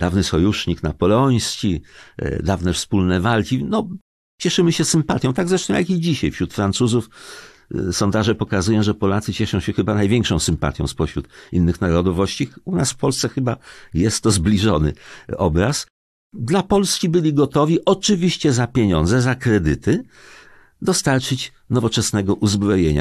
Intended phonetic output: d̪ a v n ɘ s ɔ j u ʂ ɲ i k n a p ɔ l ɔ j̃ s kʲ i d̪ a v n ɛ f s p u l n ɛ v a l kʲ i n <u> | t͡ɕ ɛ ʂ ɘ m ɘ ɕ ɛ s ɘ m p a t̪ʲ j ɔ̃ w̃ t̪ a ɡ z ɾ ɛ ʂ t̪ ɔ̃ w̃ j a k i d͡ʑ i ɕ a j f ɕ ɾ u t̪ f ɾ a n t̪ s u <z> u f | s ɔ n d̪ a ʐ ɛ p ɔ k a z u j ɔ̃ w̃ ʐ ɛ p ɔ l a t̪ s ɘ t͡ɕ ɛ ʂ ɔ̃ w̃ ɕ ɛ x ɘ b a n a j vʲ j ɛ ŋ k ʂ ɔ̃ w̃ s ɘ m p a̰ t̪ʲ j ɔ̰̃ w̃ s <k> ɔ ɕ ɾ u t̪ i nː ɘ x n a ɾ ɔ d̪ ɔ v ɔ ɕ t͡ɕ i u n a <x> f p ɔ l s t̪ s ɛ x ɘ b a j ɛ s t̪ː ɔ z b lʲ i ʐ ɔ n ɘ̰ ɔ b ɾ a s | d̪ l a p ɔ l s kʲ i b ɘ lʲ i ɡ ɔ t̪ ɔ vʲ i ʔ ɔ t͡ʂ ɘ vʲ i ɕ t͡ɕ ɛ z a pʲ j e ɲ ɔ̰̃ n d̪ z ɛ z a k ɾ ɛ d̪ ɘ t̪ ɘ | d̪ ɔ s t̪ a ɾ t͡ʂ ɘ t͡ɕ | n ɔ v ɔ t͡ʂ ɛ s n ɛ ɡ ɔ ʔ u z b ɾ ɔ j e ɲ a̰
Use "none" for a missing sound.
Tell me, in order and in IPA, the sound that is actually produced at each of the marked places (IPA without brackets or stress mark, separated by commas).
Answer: ɔ, z, p, s